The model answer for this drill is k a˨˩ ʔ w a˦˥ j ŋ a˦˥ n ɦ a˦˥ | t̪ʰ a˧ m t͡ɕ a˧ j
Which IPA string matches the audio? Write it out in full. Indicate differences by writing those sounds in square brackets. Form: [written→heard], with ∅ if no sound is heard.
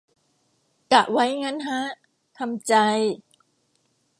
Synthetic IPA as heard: k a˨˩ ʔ w a˦˥ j ŋ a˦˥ n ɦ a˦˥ | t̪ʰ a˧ m t͡ɕ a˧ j